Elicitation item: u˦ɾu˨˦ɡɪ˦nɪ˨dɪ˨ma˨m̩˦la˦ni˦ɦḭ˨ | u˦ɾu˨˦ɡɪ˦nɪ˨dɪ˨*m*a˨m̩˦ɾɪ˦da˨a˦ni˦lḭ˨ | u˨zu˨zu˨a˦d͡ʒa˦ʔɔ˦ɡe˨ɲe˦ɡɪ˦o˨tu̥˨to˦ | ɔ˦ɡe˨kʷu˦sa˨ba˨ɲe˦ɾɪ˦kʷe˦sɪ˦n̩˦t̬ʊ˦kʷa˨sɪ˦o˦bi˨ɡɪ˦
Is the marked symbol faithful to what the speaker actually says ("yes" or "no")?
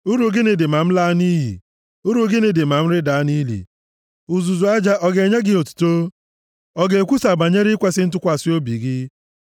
yes